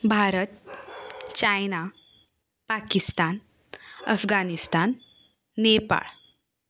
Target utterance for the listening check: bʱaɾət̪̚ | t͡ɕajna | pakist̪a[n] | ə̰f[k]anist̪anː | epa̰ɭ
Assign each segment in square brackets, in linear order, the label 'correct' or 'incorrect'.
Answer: correct, incorrect: ɡ

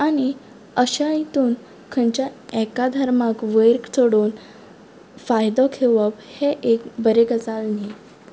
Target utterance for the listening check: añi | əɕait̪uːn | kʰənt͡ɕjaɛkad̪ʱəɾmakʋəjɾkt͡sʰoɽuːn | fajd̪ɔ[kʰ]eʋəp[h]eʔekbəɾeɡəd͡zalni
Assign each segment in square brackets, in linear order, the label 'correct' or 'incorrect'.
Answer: correct, correct

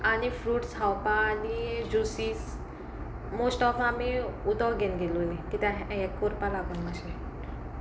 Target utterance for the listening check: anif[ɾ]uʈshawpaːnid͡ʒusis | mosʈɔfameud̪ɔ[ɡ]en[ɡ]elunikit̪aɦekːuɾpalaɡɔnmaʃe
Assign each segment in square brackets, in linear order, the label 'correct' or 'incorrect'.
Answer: correct, correct, correct

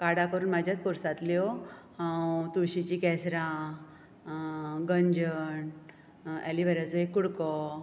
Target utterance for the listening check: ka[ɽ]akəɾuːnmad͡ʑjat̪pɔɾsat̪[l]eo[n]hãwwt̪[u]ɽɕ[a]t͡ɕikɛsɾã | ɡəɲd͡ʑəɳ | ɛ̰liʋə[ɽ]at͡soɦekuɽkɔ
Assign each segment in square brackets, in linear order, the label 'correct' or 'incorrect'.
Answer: correct, correct, incorrect: none, correct, incorrect: i, incorrect: ɾ

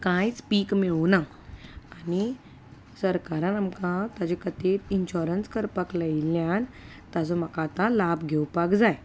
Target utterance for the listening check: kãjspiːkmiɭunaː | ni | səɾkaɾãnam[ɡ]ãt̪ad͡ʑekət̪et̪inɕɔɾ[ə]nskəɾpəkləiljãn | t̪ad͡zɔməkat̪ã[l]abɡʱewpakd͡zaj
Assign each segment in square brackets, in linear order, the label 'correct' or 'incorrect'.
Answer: incorrect: k, correct, correct

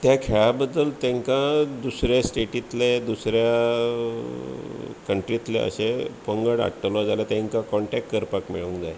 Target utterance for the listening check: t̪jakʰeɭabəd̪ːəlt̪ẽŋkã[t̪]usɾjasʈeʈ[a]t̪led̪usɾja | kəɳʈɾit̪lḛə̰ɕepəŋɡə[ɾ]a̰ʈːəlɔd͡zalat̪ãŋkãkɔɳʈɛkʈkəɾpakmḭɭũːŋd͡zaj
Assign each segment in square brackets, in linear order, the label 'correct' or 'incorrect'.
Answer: incorrect: d̪, incorrect: i, incorrect: ɽ

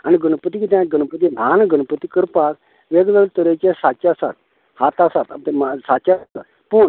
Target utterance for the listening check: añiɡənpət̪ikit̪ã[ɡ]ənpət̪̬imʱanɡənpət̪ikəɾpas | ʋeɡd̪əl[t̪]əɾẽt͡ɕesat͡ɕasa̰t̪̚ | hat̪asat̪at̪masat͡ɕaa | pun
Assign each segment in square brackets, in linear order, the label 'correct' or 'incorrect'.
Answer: correct, correct

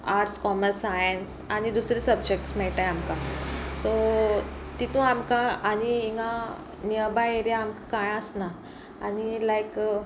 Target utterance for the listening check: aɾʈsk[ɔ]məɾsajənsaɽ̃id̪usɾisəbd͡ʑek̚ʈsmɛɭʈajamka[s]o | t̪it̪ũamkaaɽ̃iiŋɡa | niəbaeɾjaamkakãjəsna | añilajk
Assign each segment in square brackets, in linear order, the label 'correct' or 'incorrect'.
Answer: correct, correct

